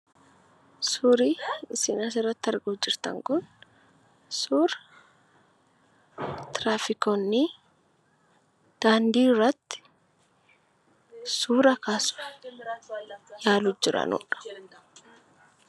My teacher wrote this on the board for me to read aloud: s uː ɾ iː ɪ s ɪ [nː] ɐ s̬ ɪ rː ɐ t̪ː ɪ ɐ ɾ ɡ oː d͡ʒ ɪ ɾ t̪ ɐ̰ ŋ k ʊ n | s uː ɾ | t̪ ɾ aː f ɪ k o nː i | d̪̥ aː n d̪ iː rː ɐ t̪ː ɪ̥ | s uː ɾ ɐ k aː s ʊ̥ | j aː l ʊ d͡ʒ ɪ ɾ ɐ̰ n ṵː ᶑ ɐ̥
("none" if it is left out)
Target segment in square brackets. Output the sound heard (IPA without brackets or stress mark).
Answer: n